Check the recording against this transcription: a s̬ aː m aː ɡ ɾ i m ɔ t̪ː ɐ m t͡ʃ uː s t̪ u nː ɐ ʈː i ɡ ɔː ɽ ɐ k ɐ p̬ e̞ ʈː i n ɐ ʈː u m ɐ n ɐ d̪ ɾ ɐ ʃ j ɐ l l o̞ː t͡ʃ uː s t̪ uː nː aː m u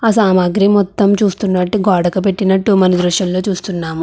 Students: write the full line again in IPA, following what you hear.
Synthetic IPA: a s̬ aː m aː ɡ ɾ i m ɔ t̪ː ɐ m t͡ʃ uː s t̪ u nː ɐ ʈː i ɡ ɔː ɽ ɐ k ɐ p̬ e̞ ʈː i n ɐ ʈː u m ɐ n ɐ d̪ ɾ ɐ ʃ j ɐ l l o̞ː t͡ʃ uː s t̪ u nː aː m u